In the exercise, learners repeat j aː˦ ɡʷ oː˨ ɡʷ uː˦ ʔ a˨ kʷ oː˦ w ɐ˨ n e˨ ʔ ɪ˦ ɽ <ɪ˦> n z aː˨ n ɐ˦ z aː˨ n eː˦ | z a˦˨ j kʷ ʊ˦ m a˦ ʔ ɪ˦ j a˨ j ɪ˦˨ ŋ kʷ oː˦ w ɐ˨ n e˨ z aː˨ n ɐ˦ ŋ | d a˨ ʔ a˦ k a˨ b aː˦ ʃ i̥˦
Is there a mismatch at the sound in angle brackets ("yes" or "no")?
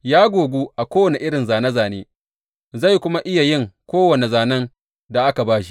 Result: yes